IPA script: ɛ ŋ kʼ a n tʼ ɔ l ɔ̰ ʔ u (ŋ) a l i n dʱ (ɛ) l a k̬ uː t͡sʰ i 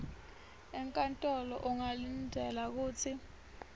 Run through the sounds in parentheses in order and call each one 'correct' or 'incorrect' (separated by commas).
correct, correct